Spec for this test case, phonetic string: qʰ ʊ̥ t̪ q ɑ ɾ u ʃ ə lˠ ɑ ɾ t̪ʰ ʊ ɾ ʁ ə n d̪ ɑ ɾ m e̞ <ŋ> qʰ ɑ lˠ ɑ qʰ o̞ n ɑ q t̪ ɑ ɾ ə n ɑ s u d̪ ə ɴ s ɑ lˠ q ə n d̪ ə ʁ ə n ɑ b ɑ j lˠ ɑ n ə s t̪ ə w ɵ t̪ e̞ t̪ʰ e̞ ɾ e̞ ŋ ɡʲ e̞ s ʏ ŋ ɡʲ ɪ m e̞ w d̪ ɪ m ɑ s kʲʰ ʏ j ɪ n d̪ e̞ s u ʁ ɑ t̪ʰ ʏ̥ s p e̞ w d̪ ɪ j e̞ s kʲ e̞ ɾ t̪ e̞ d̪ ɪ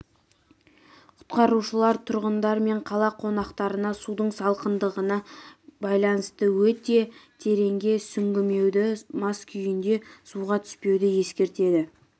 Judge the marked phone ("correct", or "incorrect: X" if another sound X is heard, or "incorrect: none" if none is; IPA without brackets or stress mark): incorrect: ɴ